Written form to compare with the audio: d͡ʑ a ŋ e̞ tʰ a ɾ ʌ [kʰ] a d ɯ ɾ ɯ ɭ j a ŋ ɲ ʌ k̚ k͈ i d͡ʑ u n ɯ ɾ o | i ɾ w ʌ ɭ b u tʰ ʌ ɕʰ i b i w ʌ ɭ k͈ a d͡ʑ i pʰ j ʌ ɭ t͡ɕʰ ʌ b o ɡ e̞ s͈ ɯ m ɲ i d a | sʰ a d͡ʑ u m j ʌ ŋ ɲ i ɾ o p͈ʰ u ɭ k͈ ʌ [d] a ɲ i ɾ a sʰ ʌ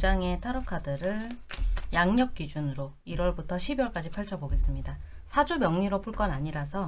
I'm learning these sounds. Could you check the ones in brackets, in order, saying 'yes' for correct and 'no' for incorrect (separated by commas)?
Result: yes, no